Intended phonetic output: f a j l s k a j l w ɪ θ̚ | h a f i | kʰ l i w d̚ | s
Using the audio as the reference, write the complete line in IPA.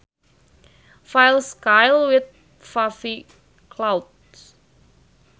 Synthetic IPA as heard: f a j l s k a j l w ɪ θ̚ | f a f i | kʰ l a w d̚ | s